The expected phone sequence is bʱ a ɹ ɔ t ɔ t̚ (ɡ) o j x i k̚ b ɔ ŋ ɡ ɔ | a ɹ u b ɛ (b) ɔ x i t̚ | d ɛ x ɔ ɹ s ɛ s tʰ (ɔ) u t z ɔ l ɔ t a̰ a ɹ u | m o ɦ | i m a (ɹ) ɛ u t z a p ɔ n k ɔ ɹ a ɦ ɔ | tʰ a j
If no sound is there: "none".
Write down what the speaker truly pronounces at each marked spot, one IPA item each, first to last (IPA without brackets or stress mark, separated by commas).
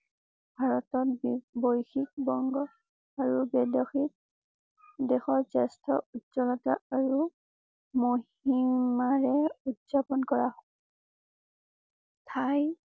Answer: b, d, ɔ, ɹ